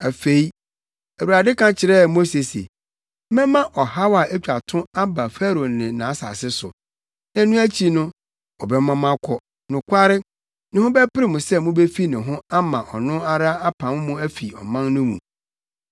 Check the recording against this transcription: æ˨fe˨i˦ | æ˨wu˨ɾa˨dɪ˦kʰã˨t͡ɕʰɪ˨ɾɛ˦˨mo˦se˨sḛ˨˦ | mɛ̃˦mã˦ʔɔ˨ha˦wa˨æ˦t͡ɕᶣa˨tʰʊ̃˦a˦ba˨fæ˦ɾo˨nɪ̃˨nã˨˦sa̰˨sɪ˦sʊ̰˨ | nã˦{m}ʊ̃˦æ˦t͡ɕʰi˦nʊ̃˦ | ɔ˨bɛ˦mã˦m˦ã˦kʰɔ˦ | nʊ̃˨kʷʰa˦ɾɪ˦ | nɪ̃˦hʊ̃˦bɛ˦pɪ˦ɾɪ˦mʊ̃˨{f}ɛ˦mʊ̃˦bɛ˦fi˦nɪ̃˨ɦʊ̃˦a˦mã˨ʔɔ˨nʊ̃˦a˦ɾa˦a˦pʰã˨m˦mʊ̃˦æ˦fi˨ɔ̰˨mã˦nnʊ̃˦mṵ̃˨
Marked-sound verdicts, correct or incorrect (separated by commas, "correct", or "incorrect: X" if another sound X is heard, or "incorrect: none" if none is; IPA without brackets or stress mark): incorrect: n, incorrect: s